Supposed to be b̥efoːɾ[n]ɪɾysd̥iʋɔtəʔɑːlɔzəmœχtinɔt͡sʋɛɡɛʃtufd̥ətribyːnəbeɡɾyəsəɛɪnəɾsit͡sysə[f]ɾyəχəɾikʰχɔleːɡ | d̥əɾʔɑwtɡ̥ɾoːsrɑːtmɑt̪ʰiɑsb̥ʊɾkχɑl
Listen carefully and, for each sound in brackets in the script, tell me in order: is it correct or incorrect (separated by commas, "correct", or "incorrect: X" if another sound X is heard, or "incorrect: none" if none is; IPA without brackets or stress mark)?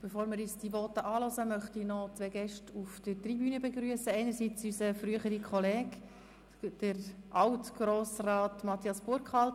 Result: incorrect: m, correct